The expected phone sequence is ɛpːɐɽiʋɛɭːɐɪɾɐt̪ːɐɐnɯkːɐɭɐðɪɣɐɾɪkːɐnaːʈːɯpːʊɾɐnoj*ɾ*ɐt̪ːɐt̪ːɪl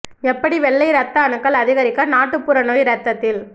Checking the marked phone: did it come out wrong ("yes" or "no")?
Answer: no